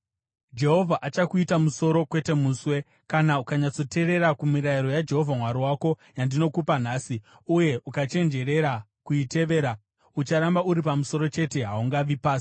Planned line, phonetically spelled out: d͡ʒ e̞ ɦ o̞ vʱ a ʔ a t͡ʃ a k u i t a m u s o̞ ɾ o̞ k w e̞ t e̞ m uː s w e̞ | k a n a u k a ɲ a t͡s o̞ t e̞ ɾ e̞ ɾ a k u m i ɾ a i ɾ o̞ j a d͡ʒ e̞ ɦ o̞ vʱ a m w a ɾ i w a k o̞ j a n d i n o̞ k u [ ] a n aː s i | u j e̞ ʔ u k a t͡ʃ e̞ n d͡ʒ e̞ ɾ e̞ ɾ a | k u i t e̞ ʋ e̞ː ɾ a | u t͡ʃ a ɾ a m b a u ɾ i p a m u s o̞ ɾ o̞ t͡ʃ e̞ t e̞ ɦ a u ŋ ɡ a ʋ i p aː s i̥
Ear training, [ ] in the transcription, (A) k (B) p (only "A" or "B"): B